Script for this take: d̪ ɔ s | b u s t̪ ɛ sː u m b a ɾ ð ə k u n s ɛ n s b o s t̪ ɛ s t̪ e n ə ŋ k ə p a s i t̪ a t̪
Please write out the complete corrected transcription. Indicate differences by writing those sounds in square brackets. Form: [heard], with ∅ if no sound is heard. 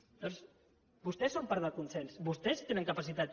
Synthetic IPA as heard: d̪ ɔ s | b u s t̪ ɛ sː [o] m [p] a ɾ ð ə k u n s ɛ n s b [u] s t̪ ɛ s t̪ e n ə ŋ k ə p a s i t̪ a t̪